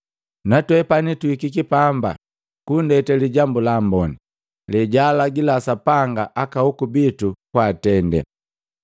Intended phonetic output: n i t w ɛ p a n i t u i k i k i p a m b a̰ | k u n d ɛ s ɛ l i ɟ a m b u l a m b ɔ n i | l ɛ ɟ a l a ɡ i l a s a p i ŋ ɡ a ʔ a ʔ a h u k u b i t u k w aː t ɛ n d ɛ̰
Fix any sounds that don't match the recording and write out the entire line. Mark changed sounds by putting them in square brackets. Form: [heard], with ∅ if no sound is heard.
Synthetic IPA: n [a] t w ɛ p a n i t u i k i k i p a m b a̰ | k u n d ɛ [t] ɛ l i ɟ a m b u l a m b ɔ n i | l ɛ ɟ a l a ɡ i l a s a p [a] ŋ ɡ a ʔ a [k] a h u k u b i t u k w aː t ɛ n d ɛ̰